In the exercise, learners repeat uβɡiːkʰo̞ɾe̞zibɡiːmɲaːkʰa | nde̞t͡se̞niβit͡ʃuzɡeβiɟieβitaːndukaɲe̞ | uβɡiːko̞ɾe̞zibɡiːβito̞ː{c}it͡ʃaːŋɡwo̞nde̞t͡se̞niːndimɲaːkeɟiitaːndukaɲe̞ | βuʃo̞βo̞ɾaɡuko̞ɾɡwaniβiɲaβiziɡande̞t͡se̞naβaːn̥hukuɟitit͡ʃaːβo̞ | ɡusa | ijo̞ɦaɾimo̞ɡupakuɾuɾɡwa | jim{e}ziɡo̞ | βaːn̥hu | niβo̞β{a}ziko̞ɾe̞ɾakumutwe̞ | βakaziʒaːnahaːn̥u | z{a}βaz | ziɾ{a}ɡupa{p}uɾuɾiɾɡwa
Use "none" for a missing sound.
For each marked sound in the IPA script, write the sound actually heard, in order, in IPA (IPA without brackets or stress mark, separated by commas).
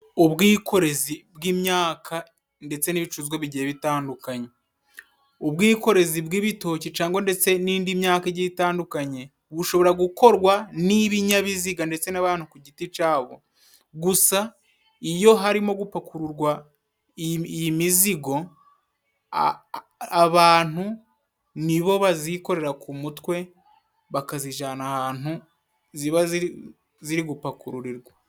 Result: c, i, a, i, i, k